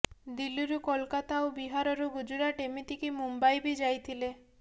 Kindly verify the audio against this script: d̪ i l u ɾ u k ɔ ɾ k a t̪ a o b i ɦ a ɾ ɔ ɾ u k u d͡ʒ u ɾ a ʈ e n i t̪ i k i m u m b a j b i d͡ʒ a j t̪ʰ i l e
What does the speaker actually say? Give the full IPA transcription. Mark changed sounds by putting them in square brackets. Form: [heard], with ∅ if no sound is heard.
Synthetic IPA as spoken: d̪ i l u ɾ u k ɔ [l] k a t̪ a o b i ɦ a ɾ ɔ ɾ u [ɡ] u d͡ʒ u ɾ a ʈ e [m] i t̪ i k i m u m b a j b i d͡ʒ a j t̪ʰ i l e

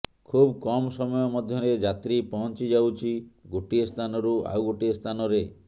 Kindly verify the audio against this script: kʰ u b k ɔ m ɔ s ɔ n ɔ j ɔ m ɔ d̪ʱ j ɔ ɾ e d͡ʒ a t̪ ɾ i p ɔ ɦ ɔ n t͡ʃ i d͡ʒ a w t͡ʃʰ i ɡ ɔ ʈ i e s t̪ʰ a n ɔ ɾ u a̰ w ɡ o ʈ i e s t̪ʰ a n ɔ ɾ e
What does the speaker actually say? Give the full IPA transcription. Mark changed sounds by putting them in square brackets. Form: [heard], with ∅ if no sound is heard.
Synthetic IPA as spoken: kʰ u b k ɔ m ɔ s ɔ [m] ɔ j ɔ m ɔ d̪ʱ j ɔ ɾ e d͡ʒ a t̪ ɾ i p ɔ ɦ ɔ n t͡ʃ i d͡ʒ a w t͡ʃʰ i ɡ [o] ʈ i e s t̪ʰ a n ɔ ɾ u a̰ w ɡ o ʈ i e s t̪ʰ a n ɔ ɾ e

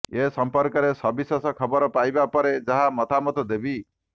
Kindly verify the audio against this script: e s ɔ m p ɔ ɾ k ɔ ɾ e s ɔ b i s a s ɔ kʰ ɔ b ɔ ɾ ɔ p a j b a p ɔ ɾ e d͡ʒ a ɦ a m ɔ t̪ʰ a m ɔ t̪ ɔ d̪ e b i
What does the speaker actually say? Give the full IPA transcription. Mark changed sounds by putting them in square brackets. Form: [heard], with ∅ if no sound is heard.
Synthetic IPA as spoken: e s ɔ m p ɔ ɾ k ɔ ɾ e s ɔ b i s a s ɔ kʰ ɔ b ɔ ɾ ɔ p a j b a p ɔ ɾ e d͡ʒ a ɦ a m ɔ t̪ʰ a m ɔ t̪ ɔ d̪ e b i

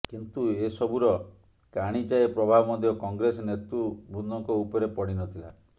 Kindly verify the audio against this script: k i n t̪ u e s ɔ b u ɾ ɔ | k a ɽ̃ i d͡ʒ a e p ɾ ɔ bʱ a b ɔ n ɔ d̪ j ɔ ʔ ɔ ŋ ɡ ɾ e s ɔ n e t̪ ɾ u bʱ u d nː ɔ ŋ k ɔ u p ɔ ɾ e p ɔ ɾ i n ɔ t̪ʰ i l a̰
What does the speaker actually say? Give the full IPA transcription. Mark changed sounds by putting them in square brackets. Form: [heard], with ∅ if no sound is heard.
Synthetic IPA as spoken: k i n t̪ u e s ɔ b u ɾ ɔ | k a ɽ̃ i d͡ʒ a e p ɾ ɔ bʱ a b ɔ [m] ɔ d̪ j ɔ [k] ɔ ŋ ɡ ɾ e s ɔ n e t̪ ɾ u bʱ u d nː ɔ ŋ k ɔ u p ɔ ɾ e p ɔ [ɽ] i n ɔ t̪ʰ i l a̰

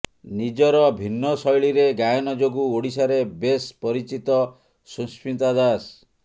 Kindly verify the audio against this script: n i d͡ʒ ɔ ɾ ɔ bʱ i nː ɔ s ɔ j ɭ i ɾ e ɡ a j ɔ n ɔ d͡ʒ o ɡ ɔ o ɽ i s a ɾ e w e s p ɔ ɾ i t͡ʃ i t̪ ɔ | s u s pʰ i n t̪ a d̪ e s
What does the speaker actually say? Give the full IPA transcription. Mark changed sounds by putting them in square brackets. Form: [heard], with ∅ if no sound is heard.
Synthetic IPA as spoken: n i d͡ʒ ɔ ɾ ɔ bʱ i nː ɔ s ɔ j ɭ i ɾ e ɡ a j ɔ n ɔ d͡ʒ o ɡ [u] o ɽ i s a ɾ e [b] e s p ɔ ɾ i t͡ʃ i t̪ ɔ | s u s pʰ i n t̪ a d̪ [a] s

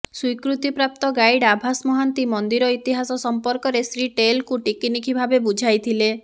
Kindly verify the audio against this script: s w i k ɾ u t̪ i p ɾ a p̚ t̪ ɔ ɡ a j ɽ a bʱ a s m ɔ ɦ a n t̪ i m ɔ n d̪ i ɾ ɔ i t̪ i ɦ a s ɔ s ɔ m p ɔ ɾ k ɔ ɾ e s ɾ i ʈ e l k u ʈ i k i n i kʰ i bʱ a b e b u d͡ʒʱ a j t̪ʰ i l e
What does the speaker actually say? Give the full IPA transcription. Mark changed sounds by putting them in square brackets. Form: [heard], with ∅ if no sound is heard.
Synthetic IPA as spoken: s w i k ɾ u t̪ i p ɾ a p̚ t̪ ɔ ɡ a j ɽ a bʱ a s m ɔ ɦ a n t̪ i m ɔ n d̪ i ɾ ɔ i t̪ i ɦ a s ɔ s ɔ m p ɔ ɾ k ɔ ɾ e s ɾ i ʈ e l k u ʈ i k i n i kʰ i bʱ a b e b u d͡ʒʱ a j t̪ʰ i l e

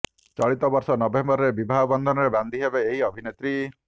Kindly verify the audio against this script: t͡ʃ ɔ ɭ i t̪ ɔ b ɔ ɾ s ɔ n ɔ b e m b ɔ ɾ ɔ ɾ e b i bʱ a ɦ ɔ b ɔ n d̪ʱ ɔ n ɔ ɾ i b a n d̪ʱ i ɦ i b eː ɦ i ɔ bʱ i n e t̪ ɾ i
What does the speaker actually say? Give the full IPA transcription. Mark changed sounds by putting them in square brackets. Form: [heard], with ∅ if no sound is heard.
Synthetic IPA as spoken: t͡ʃ ɔ ɭ i t̪ ɔ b ɔ ɾ s ɔ n ɔ b e m b ɔ ɾ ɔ ɾ e b i bʱ a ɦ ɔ b ɔ n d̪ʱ ɔ n ɔ ɾ [e] b a n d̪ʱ i ɦ [e] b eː ɦ i ɔ bʱ i n e t̪ ɾ i

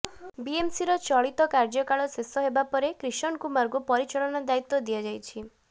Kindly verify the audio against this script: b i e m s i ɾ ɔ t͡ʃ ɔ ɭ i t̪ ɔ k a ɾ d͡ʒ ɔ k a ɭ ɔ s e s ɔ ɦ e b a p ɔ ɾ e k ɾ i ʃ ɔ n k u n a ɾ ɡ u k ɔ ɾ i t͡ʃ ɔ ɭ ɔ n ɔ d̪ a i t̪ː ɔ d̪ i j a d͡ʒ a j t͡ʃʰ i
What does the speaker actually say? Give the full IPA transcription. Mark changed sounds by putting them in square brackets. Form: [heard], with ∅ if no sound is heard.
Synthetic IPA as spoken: b i e m s i ɾ ɔ t͡ʃ ɔ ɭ i t̪ ɔ k a ɾ d͡ʒ ɔ k a ɭ ɔ s e s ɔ ɦ e b a p ɔ ɾ e k ɾ i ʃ ɔ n k u [m] a ɾ ɡ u [p] ɔ ɾ i t͡ʃ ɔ ɭ ɔ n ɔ d̪ a i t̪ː ɔ d̪ i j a d͡ʒ a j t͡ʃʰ i

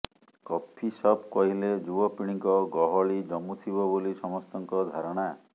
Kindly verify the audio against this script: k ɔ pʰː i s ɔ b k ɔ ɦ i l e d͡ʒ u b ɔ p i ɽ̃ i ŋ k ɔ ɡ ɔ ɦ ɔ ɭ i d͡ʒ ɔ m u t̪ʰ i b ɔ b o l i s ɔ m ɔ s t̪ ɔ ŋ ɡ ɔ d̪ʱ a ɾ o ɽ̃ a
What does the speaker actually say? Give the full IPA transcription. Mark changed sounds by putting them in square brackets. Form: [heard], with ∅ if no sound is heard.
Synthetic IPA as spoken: k ɔ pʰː i s ɔ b k ɔ ɦ i l e d͡ʒ u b ɔ p i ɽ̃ i ŋ k ɔ ɡ ɔ ɦ ɔ ɭ i d͡ʒ ɔ m u t̪ʰ i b ɔ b o l i s ɔ m ɔ s t̪ ɔ ŋ [k] ɔ d̪ʱ a ɾ [ɔ] ɽ̃ a

